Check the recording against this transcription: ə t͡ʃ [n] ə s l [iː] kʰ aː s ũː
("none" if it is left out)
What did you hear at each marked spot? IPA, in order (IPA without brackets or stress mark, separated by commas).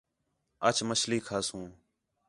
m, iː